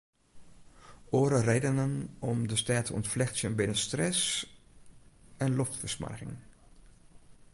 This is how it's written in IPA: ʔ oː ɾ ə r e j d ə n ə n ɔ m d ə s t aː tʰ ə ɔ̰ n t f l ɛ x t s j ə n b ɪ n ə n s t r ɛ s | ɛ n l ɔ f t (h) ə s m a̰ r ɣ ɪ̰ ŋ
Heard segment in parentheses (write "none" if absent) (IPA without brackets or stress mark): f